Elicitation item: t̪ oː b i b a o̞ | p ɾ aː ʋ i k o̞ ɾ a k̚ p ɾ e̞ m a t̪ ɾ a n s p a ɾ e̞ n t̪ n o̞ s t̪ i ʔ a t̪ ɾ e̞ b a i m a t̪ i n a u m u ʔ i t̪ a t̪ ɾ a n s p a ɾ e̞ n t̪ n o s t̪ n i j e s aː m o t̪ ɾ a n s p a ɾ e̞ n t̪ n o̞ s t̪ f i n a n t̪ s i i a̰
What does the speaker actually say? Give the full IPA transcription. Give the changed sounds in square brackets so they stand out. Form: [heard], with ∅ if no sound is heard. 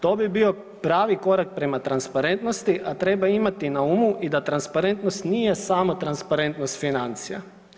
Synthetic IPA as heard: t̪ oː b i b [i] o̞ | p ɾ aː ʋ i k o̞ ɾ a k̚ p ɾ e̞ m a t̪ ɾ a n s p a ɾ e̞ n t̪ n o̞ s t̪ i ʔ a t̪ ɾ e̞ b a i m a t̪ i n a u m u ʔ i [d̪] a t̪ ɾ a n s p a ɾ e̞ n t̪ n o s t̪ n i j e s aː m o t̪ ɾ a n s p a ɾ e̞ n t̪ n o̞ s t̪ f i n a n t̪ s i [j] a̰